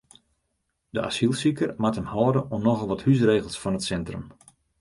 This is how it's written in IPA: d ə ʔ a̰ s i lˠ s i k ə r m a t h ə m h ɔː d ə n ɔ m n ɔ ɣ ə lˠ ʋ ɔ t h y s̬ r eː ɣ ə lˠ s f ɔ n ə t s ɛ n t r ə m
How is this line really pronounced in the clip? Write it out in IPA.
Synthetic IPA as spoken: d ə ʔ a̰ s i lˠ s i k ə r m a t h ə m h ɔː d ə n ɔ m n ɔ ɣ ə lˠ ʋ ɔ t h y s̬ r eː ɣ ə lˠ s f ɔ n ə t s ɛ n t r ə m